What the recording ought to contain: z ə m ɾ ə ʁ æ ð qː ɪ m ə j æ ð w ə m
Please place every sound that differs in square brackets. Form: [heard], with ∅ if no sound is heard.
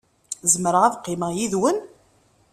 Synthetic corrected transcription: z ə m ɾ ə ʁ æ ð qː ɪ m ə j [i] ð w ə [n]